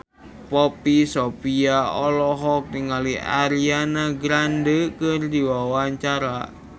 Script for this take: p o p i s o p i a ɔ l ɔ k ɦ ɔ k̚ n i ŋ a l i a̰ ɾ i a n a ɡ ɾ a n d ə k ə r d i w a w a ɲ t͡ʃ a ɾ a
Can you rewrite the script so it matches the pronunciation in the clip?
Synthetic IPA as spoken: p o p i s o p i a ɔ l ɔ ɦ ɔ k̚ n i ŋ a l i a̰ ɾ i a n a ɡ ɾ a n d ə k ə r d i w a w a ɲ t͡ʃ a ɾ a